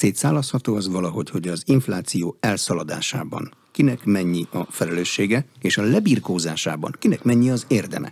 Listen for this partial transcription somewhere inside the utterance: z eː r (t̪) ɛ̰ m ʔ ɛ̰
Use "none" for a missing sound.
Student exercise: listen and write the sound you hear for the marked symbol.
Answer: d̪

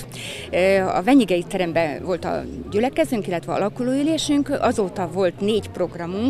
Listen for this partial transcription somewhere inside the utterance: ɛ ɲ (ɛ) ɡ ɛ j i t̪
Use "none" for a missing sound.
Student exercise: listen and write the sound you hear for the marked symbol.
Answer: i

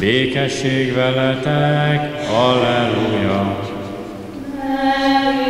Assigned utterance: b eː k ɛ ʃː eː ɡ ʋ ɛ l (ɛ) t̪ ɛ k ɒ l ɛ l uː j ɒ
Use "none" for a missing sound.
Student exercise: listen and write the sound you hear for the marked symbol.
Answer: ɛ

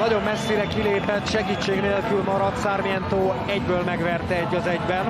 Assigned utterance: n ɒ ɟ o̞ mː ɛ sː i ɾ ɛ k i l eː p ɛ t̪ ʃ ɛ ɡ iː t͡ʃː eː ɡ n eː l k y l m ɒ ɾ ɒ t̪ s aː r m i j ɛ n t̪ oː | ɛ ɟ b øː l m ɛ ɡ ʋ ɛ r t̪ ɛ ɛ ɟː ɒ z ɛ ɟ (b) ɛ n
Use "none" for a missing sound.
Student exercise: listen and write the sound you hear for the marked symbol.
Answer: b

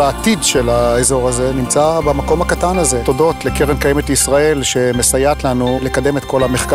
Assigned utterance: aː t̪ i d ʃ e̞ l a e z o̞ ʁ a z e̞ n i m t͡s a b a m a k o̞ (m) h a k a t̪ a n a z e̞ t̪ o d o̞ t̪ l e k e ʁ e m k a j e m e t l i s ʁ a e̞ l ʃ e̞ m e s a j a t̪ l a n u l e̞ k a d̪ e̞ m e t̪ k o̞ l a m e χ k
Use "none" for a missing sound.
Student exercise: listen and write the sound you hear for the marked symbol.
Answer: m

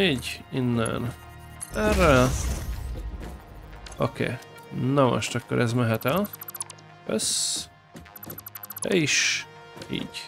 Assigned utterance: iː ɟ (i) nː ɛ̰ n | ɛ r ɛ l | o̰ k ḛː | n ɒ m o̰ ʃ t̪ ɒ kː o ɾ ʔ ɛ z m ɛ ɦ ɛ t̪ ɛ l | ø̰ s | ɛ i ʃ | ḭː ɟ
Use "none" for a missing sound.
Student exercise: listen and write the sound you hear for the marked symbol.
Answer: i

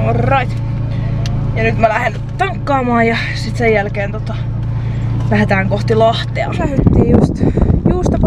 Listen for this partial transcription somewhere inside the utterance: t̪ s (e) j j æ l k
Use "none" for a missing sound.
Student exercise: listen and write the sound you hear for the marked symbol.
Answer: e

